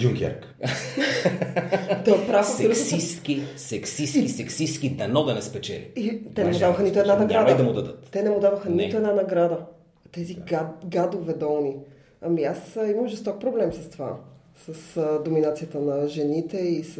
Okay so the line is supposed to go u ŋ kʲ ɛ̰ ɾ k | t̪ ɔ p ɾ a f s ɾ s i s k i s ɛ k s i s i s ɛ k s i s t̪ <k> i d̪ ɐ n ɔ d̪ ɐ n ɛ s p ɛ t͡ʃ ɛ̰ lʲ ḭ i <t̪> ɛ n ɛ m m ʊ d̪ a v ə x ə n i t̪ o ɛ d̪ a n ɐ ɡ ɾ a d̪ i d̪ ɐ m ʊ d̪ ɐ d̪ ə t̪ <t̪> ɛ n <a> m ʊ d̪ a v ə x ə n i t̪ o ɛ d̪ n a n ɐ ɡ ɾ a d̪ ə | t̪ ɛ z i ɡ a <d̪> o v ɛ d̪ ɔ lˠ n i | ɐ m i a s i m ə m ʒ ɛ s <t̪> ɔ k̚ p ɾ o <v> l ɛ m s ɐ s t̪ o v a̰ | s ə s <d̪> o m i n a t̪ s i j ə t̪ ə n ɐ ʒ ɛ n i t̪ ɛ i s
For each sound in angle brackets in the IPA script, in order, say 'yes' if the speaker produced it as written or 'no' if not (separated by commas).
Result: yes, yes, yes, no, yes, yes, no, yes